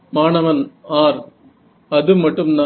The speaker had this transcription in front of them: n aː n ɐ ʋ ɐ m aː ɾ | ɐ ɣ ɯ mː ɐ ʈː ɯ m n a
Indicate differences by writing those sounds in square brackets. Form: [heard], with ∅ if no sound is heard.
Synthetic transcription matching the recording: [m] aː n ɐ ʋ ɐ [n] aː ɾ | ɐ [ð] ɯ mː ɐ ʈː ɯ m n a